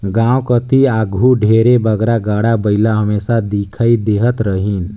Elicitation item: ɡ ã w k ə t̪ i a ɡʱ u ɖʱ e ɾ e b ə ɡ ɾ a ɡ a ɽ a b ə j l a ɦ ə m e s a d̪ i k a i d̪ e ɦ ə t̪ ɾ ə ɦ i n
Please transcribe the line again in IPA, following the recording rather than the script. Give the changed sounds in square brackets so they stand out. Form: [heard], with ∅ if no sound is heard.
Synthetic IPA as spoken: ɡ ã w k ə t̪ i a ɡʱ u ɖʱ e ɾ e b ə ɡ ɾ a ɡ a ɽ a b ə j l a ɦ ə m e s a d̪ i [kʰ] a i d̪ e ɦ ə t̪ ɾ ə ɦ i n